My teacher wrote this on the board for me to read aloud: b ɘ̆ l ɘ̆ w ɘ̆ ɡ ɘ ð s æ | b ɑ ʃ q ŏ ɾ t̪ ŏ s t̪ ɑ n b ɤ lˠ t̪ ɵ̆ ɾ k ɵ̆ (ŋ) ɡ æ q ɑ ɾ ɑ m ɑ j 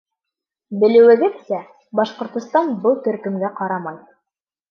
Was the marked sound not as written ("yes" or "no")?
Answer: yes